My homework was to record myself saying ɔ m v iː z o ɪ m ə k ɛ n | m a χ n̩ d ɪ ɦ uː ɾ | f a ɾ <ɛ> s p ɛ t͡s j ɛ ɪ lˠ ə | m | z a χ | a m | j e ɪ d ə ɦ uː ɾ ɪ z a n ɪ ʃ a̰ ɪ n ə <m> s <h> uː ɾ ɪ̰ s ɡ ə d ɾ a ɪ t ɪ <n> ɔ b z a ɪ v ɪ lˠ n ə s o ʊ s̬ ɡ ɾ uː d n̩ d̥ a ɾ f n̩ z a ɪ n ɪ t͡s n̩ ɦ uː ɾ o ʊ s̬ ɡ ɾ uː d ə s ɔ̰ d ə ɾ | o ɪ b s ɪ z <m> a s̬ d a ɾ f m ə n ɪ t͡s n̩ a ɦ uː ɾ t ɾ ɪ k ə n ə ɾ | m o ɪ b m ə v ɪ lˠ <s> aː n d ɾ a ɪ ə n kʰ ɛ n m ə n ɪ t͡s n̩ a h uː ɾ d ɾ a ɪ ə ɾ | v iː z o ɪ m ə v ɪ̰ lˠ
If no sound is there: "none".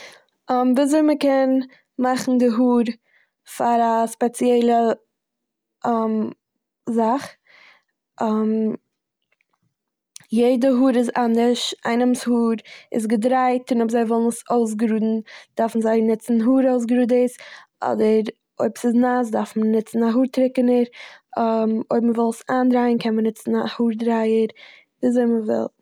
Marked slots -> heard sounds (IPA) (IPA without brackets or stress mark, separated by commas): a, m, h, n, n, s